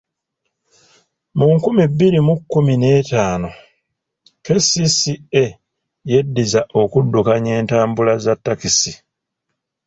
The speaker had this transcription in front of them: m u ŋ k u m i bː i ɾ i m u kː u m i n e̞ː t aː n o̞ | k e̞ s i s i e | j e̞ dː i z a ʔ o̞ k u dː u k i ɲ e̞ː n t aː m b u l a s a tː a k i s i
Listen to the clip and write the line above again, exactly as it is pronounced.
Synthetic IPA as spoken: m u ŋ k u m i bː i ɾ i m u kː u m i n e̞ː t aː n o̞ | k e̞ s i s i e | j e̞ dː i z a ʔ o̞ k u dː u k a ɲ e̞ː n t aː m b u l a z a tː a k i s i